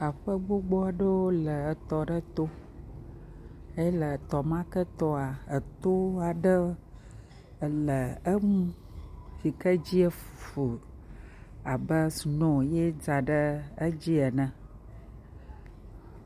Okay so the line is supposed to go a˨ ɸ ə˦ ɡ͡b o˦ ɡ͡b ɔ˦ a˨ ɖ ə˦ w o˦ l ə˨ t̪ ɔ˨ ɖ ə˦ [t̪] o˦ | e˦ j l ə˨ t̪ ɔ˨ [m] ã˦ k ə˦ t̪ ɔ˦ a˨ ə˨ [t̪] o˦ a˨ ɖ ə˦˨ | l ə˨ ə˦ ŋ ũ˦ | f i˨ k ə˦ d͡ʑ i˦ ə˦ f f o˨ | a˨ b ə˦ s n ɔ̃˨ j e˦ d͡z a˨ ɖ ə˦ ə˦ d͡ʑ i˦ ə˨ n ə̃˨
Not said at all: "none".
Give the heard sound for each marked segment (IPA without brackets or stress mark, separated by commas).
t̪, m, t̪